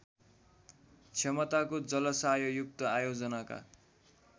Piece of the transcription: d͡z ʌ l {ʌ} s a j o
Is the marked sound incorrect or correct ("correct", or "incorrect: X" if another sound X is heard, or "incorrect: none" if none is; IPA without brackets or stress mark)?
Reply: correct